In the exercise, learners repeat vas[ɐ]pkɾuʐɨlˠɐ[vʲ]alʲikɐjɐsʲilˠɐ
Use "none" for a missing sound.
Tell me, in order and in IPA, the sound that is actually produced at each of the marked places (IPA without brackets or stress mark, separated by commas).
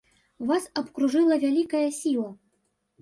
ɐ, vʲ